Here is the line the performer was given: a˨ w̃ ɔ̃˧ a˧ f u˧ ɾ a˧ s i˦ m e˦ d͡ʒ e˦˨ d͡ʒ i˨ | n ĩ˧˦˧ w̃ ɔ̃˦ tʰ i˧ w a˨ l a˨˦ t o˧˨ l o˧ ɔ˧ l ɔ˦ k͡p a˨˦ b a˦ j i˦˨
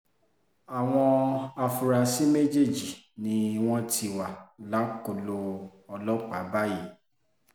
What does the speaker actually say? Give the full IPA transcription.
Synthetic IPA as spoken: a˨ w̃ ɔ̃˧ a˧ f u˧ ɾ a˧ s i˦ m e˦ d͡ʒ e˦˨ d͡ʒ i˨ | n ĩ˧˦˧ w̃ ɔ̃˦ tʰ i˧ w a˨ l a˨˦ k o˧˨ l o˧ ɔ˧ l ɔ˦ k͡p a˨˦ b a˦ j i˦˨